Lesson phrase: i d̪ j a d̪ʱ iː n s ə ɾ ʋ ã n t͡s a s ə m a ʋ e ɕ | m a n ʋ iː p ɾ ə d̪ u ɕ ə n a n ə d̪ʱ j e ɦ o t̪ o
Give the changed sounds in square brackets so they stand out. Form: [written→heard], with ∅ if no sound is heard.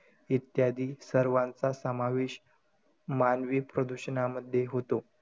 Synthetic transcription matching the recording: i [d̪→t̪] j a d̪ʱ iː [n→∅] s ə ɾ ʋ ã n t͡s a s ə m a ʋ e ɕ | m a n ʋ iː p ɾ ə d̪ u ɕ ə n a [n→m] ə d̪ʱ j e ɦ o t̪ o